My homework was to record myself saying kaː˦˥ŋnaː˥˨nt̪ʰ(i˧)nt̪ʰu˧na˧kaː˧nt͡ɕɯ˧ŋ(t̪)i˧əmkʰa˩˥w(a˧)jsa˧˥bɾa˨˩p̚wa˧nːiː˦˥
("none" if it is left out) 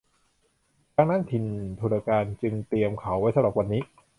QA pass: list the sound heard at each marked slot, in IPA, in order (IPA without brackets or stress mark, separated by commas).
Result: i˧, t̪, a˦˥